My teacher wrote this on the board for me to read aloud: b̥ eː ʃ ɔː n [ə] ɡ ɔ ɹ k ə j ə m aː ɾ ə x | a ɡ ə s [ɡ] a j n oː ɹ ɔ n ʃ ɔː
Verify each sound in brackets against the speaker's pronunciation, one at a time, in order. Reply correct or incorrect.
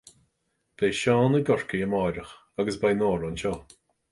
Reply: correct, incorrect: b

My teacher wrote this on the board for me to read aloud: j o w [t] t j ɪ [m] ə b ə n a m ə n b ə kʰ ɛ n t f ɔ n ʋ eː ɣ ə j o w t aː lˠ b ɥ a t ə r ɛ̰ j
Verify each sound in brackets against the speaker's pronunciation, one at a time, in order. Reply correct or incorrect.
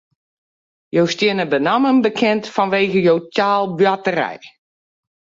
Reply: incorrect: s, incorrect: n

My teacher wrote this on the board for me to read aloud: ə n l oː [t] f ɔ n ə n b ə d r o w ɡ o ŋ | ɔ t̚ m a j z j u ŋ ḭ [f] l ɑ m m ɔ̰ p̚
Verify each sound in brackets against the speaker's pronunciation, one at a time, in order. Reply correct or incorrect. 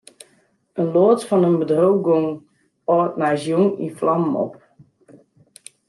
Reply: correct, correct

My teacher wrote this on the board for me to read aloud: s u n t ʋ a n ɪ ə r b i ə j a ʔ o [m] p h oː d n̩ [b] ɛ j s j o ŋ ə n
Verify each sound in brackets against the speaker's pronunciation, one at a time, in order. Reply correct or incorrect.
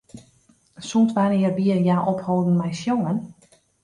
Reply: incorrect: none, incorrect: m

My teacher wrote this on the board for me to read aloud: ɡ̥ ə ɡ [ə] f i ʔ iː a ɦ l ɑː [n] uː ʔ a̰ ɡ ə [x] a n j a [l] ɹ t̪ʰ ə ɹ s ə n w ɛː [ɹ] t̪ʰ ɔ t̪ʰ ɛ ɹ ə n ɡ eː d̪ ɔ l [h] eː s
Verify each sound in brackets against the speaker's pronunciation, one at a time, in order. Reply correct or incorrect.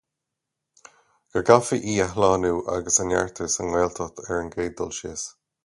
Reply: incorrect: a, correct, incorrect: s, incorrect: none, incorrect: l, incorrect: ʃ

